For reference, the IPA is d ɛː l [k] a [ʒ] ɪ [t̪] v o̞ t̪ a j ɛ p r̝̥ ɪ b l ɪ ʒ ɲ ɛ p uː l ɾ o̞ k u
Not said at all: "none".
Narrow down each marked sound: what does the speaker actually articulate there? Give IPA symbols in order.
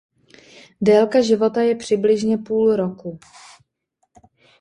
k, ʒ, none

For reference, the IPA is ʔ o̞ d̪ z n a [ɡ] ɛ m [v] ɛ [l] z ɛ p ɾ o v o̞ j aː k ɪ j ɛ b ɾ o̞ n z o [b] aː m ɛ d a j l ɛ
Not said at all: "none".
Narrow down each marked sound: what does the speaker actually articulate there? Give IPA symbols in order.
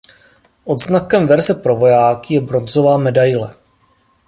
k, v, ɾ, v

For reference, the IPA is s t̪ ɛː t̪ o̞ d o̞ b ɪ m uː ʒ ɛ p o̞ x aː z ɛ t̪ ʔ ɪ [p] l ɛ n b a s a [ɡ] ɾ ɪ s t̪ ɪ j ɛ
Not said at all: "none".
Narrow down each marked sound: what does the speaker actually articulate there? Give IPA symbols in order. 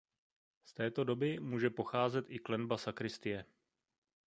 k, k

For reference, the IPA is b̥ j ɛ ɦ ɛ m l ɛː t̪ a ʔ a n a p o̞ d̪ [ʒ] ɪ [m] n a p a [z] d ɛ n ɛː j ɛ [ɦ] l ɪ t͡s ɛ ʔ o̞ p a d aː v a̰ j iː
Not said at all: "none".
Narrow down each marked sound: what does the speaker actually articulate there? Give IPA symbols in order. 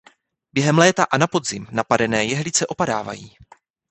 z, m, none, ɦ

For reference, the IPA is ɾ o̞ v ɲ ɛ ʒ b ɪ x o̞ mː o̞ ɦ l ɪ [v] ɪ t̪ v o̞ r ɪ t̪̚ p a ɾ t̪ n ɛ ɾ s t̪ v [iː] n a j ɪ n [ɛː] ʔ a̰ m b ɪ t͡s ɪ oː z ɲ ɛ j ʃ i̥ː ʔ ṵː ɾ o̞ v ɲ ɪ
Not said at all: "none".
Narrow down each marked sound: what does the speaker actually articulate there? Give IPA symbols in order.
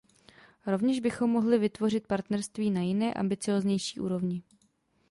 v, iː, ɛː

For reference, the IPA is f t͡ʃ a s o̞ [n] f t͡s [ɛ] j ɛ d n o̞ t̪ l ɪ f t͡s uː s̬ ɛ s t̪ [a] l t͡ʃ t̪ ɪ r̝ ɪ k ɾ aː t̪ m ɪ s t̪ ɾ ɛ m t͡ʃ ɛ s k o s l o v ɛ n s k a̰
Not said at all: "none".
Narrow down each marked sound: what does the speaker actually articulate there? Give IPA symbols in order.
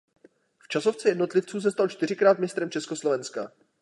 none, ɛ, a

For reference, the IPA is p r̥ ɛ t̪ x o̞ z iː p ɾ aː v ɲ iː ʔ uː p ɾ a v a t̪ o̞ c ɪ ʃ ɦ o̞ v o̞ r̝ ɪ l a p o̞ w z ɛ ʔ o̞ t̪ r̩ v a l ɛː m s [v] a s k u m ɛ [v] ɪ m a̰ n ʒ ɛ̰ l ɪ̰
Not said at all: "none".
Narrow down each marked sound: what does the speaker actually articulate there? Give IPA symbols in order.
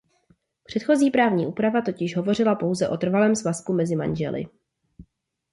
v, z

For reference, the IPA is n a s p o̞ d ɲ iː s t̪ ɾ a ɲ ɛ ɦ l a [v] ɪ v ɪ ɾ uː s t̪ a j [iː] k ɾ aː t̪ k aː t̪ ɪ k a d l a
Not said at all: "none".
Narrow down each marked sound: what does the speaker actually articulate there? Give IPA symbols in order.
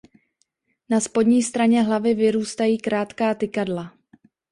v, iː

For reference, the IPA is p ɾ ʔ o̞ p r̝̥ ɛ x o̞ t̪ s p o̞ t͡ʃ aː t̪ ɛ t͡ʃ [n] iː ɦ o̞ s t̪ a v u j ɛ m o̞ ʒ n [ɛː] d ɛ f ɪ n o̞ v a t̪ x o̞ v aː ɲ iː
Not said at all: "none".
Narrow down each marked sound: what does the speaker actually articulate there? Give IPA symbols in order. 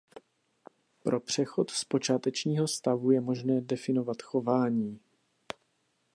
ɲ, ɛː

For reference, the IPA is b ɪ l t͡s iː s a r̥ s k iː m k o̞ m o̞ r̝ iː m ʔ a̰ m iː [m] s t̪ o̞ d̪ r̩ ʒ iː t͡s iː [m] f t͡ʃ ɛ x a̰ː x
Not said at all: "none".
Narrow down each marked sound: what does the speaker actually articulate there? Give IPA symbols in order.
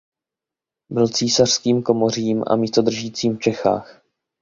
none, m

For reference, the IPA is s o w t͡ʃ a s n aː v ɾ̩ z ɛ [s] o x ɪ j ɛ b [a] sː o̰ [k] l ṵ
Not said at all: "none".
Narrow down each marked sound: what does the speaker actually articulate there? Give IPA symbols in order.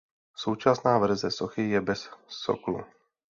s, ɛ, k

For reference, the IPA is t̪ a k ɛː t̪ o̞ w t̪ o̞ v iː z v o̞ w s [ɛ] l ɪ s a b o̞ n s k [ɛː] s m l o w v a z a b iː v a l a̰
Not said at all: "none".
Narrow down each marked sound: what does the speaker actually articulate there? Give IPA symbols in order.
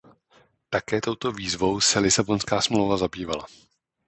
ɛ, aː

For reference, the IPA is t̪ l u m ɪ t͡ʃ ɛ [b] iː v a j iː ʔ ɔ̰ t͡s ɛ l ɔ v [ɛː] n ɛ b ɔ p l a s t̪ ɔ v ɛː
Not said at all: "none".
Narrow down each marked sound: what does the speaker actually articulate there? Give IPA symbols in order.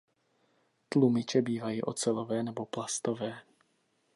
b, ɛː

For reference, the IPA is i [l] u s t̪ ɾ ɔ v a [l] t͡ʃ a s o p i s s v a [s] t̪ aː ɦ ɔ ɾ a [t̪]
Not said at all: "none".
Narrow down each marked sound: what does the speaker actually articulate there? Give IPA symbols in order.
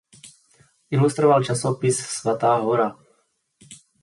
l, l, none, none

